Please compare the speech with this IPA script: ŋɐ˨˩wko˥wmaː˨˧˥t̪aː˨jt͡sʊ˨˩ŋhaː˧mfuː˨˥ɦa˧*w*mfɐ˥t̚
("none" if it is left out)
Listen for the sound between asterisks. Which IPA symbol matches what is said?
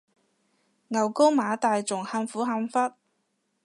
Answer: none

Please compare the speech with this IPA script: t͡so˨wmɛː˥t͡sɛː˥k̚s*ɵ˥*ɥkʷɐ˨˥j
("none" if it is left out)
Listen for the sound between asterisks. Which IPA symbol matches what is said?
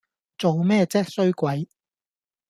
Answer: ɵ˥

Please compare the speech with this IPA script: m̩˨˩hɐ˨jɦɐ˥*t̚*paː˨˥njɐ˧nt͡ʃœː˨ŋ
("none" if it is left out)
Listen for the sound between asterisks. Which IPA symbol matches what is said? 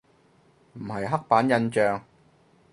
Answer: k̚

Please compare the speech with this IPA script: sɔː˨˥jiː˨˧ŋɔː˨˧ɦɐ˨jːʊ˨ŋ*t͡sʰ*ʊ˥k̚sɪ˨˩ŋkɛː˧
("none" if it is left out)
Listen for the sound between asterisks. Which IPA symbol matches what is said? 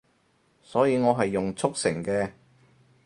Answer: t͡sʰ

